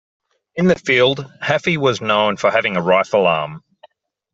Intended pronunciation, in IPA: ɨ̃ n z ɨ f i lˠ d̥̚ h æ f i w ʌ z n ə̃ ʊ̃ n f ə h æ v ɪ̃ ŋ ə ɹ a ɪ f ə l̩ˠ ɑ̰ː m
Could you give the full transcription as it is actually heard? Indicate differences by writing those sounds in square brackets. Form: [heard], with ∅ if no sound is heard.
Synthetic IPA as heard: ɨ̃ n [ð] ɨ f i lˠ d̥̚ h æ f i w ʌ z n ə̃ ʊ̃ n f ə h æ v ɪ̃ ŋ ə ɹ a ɪ f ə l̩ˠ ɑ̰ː m